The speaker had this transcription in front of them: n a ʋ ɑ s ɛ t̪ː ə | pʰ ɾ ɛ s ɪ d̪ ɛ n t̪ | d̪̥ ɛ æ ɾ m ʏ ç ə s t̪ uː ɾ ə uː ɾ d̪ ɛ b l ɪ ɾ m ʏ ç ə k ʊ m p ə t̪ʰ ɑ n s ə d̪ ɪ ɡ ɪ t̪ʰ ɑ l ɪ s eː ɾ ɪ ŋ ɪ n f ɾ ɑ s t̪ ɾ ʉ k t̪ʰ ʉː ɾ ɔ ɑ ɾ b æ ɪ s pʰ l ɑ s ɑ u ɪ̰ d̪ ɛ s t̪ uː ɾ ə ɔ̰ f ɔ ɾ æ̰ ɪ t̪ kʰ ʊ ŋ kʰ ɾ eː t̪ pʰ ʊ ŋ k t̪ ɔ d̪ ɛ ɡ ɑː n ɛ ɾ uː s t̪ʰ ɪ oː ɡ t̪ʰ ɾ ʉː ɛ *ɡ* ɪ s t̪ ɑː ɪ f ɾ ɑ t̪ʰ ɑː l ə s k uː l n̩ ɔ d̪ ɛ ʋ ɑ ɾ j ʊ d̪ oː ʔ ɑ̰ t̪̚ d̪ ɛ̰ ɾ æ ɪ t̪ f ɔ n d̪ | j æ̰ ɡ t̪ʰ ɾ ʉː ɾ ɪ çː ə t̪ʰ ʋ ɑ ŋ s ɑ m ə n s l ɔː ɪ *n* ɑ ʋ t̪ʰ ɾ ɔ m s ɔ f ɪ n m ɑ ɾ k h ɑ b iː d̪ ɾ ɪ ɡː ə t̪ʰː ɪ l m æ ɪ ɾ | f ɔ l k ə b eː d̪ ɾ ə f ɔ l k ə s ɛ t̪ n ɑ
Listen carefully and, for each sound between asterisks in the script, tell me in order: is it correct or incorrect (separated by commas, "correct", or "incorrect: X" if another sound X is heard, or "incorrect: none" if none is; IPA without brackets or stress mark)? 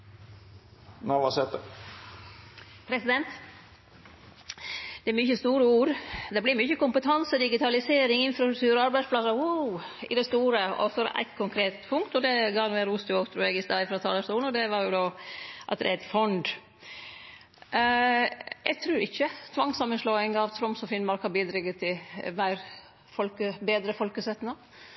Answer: correct, incorrect: ŋ